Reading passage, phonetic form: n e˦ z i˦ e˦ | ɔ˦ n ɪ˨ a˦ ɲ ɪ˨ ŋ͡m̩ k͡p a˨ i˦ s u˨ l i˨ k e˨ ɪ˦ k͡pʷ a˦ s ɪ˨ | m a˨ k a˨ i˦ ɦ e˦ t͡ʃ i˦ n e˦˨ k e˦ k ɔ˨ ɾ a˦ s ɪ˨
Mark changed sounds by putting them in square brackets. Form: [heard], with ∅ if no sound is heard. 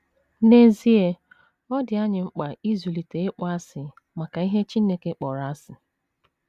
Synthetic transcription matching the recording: n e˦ z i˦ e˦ | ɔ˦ [d] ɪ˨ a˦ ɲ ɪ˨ ŋ͡m̩ k͡p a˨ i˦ [z] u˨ l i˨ [t] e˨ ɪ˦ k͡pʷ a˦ s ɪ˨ | m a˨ k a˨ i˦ ɦ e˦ t͡ʃ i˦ n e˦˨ k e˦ [k͡p] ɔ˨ ɾ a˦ s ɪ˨

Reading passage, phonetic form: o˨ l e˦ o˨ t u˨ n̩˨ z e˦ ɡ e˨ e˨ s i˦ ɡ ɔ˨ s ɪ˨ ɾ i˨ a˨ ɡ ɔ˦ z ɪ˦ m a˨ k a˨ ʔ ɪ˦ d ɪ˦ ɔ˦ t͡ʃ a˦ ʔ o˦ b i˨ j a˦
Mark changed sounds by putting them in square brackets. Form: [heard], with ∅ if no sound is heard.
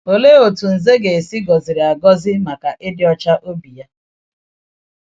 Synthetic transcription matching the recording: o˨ l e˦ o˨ t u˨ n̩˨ z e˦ ɡ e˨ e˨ s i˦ ɡ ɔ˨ [z] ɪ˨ ɾ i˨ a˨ ɡ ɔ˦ z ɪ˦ m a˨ k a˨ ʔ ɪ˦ d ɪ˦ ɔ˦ t͡ʃ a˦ ʔ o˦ b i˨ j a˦

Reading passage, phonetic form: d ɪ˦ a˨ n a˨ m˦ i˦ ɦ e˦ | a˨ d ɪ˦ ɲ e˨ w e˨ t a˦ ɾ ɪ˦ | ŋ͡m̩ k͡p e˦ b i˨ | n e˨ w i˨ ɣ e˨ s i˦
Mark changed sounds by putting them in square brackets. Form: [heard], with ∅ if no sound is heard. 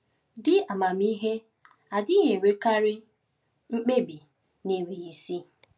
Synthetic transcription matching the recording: d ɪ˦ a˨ [m] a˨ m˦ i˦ ɦ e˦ | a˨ d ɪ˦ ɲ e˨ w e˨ [k] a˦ ɾ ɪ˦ | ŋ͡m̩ k͡p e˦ b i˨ | n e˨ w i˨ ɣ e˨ s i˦

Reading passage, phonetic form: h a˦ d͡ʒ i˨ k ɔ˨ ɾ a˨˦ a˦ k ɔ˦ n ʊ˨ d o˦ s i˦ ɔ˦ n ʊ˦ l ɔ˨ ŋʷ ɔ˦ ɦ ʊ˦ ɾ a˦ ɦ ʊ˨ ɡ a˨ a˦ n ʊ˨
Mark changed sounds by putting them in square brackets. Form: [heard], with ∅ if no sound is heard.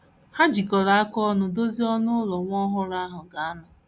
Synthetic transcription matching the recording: h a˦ d͡ʒ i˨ k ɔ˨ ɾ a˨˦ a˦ k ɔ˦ n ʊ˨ d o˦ [z] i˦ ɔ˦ n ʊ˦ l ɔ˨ ŋʷ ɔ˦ ɦ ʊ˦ ɾ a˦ ɦ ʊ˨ ɡ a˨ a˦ n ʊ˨

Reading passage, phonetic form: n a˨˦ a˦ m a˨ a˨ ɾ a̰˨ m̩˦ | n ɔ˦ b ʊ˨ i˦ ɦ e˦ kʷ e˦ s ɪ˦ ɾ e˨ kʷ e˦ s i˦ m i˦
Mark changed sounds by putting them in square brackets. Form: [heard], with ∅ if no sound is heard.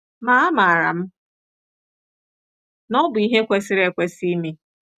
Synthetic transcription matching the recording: [m] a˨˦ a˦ m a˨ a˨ ɾ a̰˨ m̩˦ | n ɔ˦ b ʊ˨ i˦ ɦ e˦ kʷ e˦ s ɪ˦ ɾ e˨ kʷ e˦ s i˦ m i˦

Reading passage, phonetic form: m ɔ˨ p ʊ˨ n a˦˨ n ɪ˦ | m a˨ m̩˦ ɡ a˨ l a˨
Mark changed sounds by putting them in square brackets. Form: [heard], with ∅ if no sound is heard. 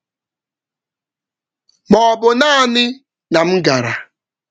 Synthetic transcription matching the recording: m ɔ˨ [b] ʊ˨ n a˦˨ n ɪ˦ | [n] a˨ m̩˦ ɡ a˨ [ɾ] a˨

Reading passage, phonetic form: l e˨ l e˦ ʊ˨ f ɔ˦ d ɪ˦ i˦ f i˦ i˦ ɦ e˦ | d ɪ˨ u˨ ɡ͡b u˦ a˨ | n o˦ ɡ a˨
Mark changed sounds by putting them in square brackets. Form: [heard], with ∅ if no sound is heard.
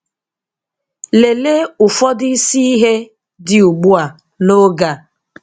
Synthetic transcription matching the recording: l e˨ l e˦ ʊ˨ f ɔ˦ d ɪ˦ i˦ [s] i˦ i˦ ɦ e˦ | d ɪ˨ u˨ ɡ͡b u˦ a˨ | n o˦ ɡ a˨

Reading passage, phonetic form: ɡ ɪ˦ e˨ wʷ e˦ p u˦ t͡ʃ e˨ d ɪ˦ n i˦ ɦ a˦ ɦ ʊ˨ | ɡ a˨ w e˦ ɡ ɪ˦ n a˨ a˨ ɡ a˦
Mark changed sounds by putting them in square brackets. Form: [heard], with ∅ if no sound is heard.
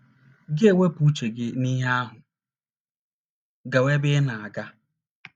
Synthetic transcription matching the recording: ɡ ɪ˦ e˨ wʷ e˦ p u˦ t͡ʃ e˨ [ɡ] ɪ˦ n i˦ ɦ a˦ ɦ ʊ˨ | ɡ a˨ w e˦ [b] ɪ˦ n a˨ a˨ ɡ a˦

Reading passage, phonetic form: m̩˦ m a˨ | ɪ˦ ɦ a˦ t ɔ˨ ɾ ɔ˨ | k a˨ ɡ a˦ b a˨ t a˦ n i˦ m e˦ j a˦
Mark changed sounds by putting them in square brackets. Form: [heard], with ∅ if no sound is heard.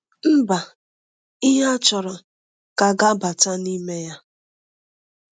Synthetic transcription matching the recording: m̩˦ [b] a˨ | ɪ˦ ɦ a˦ [t͡ʃ] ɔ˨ ɾ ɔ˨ | k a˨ ɡ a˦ b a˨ t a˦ n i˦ m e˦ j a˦

